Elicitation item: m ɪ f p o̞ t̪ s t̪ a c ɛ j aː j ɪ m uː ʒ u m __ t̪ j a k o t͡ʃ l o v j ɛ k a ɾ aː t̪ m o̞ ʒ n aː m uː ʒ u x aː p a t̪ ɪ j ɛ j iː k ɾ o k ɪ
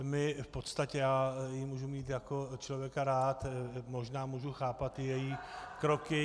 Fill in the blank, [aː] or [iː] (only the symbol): iː